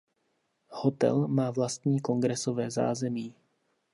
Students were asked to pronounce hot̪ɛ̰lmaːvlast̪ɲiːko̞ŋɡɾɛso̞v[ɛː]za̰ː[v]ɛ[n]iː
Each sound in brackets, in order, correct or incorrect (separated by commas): correct, incorrect, incorrect